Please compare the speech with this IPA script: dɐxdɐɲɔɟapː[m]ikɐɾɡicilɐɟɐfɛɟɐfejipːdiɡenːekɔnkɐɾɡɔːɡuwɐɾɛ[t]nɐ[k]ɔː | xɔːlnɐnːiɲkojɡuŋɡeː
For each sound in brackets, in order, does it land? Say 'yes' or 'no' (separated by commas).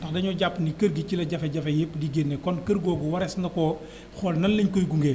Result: no, no, yes